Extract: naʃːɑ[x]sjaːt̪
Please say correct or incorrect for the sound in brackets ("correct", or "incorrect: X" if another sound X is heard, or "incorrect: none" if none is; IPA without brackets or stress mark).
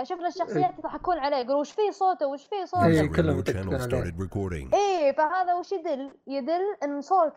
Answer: correct